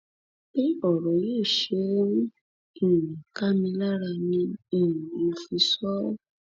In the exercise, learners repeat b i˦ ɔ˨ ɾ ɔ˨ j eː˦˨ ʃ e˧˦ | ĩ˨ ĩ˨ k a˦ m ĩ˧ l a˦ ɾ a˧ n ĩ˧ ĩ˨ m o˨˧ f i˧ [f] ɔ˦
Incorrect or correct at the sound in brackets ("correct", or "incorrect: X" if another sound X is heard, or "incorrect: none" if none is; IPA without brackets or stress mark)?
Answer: incorrect: s